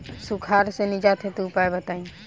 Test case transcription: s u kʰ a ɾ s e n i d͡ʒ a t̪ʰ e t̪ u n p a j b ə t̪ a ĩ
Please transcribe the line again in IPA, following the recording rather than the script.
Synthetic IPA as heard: s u kʰ a ɾ s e n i d͡ʒ a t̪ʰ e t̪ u p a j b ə t̪ a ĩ

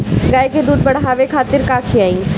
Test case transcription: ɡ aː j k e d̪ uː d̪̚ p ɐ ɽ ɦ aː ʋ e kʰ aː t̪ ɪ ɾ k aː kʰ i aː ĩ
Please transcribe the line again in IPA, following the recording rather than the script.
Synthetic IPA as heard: ɡ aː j k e d̪ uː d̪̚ b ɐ ɽ ɦ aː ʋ e kʰ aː t̪ ɪ ɾ k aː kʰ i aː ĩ

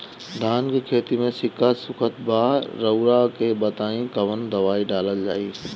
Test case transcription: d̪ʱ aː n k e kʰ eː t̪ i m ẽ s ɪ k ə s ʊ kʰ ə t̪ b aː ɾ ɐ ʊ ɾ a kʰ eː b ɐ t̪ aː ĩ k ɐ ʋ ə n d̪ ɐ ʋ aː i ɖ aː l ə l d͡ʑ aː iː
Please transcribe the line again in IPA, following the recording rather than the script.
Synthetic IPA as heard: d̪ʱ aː n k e kʰ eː t̪ i m ẽ s ɪ k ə s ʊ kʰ ə t̪ b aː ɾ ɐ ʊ ɾ a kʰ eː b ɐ t̪ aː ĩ k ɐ ʋ ə n d̪ ɐ ʋ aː i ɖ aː l ə l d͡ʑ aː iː

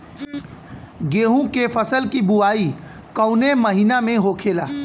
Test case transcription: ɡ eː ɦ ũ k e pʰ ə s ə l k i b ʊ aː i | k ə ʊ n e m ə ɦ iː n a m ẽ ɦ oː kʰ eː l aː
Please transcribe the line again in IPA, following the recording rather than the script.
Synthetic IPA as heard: ɡ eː ɦ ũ k e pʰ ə s ə l k i b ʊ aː i | k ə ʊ n e m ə ɦ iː n a m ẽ ɦ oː kʰ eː l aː

